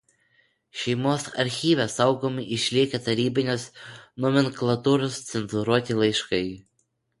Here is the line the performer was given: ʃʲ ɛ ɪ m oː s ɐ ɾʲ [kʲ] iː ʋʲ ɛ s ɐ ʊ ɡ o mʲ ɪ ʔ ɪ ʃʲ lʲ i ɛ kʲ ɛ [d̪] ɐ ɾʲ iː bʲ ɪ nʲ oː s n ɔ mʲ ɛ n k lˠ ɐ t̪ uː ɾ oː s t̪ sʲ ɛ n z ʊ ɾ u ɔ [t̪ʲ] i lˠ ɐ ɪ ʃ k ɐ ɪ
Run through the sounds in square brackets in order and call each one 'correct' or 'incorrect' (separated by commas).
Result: incorrect, incorrect, correct